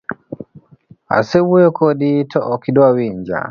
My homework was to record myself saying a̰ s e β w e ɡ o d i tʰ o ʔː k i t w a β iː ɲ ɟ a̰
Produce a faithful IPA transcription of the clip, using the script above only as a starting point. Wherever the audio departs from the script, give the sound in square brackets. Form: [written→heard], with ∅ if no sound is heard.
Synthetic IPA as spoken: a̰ s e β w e [ɡ→k] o d i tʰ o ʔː k i [t→d] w a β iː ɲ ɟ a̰